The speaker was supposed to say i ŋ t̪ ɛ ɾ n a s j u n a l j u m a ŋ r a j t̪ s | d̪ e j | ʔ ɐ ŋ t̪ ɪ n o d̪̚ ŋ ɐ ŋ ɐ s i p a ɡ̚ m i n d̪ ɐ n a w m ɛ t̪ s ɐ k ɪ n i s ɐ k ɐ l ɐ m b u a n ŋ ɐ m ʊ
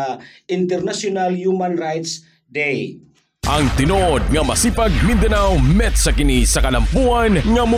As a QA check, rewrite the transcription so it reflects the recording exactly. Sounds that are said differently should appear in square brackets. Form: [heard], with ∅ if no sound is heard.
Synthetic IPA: i [n] t̪ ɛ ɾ n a s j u n a l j u m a [n] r a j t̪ s | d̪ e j | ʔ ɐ ŋ t̪ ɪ n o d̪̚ ŋ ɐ [m] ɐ s i p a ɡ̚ m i n d̪ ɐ n a w m ɛ t̪ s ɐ k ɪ n i s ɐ k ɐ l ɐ m [p] u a n ŋ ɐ m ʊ